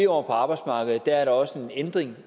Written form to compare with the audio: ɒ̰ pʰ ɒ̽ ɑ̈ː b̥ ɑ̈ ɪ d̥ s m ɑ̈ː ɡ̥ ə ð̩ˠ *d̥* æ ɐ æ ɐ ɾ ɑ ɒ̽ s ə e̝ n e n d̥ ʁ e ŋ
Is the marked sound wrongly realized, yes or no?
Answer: no